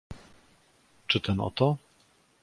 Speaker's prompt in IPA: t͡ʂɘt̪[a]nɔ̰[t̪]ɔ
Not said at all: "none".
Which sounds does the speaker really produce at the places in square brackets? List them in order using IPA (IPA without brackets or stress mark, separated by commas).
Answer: ɛ, t̪